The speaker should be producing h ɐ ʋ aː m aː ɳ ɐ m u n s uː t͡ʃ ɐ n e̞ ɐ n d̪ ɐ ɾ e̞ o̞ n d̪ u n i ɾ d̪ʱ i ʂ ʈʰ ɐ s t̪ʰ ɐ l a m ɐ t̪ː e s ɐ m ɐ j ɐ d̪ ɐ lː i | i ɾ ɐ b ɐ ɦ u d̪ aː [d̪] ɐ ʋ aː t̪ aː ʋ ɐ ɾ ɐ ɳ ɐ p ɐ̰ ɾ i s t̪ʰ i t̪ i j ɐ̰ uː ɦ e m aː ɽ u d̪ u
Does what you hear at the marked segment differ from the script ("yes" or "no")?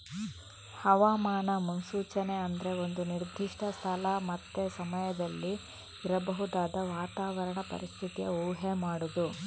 no